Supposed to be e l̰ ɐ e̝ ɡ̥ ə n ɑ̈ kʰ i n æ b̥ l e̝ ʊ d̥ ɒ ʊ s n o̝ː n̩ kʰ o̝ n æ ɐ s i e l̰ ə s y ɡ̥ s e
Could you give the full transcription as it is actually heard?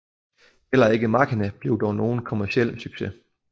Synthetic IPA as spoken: e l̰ ɐ e̝ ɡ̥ ə m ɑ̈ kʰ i n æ b̥ l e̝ ʊ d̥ ɒ ʊ n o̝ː n̩ kʰ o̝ m æ ɐ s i e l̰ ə s y ɡ̥ s e

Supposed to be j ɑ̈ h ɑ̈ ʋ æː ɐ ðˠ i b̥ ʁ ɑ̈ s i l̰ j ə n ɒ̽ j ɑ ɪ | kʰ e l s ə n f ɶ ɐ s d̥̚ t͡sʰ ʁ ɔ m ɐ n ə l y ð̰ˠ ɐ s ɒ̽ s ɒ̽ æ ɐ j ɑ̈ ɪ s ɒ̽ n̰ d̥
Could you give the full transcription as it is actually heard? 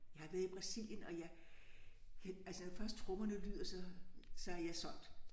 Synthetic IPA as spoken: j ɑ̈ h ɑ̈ ʋ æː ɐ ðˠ i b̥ ʁ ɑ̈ s i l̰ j ə n ɒ̽ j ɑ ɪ | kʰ æ l s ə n f ɶ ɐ s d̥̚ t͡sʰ ʁ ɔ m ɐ n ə l y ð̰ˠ ɐ s ɒ̽ s ɒ̽ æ ɐ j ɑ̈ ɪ s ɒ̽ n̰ d̥

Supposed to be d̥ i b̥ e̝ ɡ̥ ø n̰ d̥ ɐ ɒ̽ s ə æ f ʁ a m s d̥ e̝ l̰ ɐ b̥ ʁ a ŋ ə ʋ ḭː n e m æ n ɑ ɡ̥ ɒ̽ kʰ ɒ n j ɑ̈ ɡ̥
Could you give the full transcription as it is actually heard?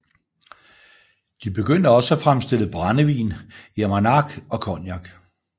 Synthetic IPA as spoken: d̥ i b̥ e̝ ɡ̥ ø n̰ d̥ ə ɒ̽ s ə æ f ʁ a m s d̥ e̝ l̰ ə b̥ ʁ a n ə ʋ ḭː n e m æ n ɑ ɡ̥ ɒ̽ kʰ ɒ n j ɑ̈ ɡ̥

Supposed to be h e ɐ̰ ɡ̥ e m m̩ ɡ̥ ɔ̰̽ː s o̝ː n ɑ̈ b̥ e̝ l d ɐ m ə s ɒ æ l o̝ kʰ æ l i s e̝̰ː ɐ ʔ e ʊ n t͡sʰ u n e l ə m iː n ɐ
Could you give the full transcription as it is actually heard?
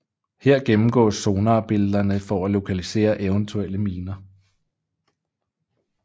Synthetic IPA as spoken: h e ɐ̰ ɡ̥ e m m̩ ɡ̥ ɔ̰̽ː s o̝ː n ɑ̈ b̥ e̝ l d ɐ n ə f ɒ æ l o̝ kʰ æ l i s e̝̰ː ɐ ʔ e ʊ n t͡sʰ u e l ə m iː n ɐ

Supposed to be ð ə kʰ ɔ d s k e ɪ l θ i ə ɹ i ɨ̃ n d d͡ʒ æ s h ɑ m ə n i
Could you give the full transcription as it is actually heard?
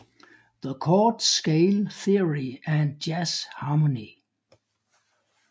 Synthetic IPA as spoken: ð ə kʰ ɔ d s k e ɪ l θ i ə ɹ i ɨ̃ n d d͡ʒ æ s h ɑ m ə n i

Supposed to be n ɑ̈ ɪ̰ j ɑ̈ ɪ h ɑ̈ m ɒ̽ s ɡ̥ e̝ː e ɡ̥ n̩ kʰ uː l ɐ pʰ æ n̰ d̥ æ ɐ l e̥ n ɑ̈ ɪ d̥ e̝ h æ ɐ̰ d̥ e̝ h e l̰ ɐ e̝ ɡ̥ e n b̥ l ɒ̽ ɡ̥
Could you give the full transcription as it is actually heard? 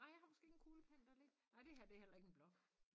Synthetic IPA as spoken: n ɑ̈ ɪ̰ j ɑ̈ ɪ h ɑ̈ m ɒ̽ s ɡ̥ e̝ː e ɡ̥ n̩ kʰ uː l ə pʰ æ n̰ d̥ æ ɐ l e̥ n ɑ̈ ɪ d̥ e̝ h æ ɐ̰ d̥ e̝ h e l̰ ɐ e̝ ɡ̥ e n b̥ l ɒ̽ ɡ̥

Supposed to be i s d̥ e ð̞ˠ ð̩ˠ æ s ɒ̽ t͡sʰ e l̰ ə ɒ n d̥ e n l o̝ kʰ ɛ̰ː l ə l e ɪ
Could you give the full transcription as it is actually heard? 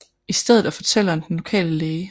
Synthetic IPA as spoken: i s d̥ e ð̞ˠ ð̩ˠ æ f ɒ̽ t͡sʰ e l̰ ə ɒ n d̥ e n l o̝ kʰ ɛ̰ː l ə l e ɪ

